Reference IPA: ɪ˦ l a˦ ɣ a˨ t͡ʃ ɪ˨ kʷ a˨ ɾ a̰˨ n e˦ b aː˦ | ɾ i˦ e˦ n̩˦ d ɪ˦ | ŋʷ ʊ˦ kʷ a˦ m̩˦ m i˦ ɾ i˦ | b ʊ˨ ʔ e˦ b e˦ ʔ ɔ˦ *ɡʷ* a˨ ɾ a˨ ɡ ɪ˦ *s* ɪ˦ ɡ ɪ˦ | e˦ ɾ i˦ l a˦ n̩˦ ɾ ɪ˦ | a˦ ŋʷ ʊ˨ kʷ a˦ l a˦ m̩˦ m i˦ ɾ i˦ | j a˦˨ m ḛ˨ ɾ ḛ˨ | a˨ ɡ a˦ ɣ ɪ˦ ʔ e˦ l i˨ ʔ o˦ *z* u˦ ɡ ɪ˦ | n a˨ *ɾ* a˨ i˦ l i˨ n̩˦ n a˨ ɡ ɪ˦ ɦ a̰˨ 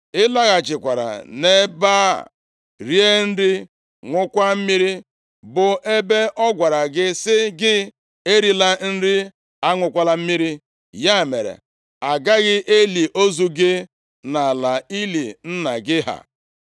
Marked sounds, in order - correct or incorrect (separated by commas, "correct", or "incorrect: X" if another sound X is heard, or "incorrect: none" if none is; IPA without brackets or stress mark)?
correct, correct, correct, incorrect: l